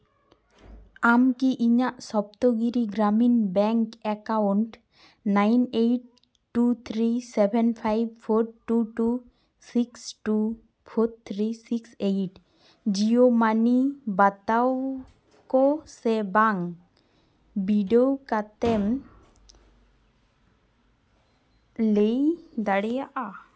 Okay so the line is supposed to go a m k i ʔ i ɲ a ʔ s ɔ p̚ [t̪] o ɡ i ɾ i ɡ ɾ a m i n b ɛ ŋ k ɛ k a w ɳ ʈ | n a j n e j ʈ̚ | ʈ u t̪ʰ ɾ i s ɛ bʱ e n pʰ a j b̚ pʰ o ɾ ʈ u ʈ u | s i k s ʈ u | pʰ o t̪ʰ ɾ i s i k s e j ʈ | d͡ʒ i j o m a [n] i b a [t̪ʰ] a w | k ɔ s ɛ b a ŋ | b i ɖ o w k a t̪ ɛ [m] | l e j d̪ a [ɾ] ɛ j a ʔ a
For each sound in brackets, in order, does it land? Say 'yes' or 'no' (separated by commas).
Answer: yes, yes, no, yes, no